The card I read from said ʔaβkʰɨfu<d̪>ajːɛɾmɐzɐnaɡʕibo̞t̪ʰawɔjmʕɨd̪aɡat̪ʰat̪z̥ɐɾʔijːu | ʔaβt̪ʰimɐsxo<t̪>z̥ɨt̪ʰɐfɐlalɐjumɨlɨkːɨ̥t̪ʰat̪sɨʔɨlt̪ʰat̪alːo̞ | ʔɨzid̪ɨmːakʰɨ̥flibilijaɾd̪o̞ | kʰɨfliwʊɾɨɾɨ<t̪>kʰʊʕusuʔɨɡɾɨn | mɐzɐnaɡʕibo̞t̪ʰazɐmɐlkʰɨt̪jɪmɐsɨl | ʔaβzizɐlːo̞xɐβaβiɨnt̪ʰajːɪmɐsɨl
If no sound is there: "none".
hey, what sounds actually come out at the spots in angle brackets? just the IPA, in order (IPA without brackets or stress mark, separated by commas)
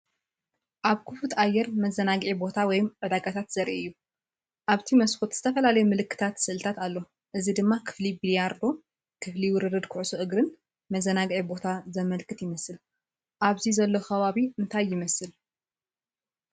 t̪, t̪, d̪